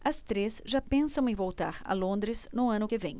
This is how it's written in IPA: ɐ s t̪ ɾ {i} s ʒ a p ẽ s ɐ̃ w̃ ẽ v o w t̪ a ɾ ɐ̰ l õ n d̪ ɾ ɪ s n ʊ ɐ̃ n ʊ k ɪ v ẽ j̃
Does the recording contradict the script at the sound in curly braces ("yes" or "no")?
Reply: yes